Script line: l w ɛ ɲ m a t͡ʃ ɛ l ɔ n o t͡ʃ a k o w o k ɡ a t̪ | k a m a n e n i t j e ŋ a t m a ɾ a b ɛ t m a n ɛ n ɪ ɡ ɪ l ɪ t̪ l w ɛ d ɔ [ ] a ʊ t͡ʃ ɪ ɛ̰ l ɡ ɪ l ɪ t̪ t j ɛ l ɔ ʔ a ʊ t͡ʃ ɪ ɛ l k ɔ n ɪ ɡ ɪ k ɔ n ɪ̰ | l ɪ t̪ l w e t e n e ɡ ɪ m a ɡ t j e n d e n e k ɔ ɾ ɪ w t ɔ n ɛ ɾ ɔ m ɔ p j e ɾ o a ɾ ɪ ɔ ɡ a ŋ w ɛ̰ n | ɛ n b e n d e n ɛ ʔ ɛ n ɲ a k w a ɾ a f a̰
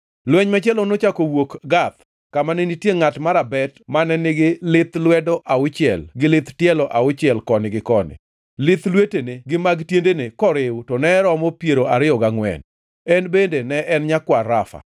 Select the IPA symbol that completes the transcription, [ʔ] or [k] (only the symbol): ʔ